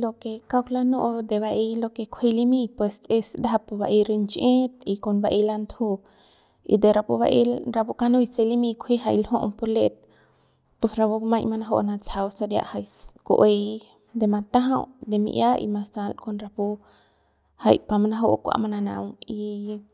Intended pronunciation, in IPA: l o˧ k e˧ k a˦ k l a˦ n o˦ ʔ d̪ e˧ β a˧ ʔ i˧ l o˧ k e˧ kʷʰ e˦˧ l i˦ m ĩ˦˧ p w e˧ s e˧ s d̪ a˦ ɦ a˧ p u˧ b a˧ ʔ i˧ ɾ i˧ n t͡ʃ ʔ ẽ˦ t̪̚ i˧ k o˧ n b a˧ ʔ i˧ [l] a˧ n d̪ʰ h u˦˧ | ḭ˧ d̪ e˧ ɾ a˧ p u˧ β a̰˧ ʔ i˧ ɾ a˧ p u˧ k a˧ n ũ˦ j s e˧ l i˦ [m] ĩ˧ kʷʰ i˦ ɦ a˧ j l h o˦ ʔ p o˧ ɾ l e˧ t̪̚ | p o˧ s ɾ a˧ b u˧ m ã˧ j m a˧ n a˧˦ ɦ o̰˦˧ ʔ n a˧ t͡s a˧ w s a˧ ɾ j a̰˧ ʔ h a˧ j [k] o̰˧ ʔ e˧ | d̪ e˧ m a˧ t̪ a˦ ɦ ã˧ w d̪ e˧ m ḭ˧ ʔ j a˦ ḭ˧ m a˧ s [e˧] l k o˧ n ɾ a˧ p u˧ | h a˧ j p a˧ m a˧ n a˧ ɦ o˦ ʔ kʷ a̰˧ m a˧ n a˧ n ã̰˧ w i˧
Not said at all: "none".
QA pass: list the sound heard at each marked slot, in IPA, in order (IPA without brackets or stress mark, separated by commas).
l, m, k, a˧